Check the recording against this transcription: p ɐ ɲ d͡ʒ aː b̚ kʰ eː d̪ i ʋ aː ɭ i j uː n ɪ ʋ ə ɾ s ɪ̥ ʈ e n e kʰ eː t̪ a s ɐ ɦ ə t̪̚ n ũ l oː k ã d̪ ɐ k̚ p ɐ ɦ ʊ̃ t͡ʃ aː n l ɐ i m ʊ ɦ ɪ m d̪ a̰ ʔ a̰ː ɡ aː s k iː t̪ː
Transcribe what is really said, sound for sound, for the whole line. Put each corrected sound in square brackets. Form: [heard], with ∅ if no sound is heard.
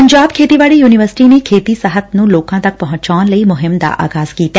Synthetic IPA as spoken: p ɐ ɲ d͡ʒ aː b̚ kʰ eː [t̪] i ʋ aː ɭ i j uː n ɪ ʋ ə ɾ s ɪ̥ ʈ [i] n e kʰ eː t̪ [i] s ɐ ɦ ə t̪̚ n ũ l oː k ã [t̪] ɐ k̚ p ɐ ɦ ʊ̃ t͡ʃ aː n l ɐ i m ʊ ɦ ɪ m d̪ a̰ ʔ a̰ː ɡ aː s k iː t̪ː